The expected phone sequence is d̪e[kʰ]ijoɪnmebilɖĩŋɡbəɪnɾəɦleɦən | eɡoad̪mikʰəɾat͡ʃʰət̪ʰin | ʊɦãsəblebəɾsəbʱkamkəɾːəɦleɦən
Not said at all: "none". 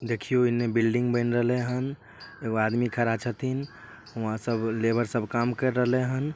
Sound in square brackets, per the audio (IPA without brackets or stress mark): kʰ